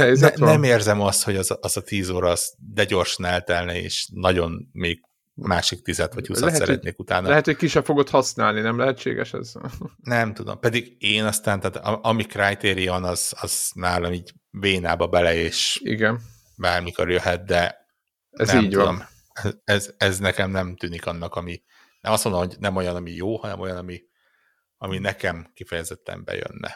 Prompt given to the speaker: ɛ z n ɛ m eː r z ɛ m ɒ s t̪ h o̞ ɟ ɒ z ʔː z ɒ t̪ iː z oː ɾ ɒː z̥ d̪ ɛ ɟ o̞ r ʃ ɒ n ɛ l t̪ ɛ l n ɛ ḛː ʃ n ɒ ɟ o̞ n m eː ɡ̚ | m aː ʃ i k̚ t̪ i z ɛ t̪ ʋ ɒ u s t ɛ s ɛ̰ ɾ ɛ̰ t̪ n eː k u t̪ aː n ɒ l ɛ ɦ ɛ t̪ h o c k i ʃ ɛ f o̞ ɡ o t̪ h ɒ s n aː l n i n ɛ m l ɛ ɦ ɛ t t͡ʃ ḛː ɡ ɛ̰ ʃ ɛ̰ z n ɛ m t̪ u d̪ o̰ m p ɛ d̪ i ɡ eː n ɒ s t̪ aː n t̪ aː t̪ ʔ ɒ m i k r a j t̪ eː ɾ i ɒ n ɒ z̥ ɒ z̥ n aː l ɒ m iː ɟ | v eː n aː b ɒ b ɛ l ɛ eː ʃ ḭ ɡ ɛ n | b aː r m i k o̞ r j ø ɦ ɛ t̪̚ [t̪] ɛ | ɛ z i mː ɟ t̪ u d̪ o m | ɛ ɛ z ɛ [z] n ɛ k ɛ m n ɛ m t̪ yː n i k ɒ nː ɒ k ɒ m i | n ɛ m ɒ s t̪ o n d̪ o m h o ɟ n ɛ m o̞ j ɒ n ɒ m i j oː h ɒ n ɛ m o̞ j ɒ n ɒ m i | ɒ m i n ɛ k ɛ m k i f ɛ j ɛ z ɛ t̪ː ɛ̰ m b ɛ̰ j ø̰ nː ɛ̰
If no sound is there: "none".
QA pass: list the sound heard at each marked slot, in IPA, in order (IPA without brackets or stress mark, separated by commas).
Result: d̪, z